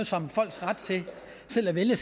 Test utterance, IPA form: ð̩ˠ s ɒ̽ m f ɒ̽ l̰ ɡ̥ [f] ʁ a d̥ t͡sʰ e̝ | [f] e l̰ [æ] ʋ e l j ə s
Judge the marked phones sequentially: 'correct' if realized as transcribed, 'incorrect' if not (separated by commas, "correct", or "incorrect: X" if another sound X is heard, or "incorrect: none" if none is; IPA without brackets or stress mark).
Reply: incorrect: s, incorrect: s, correct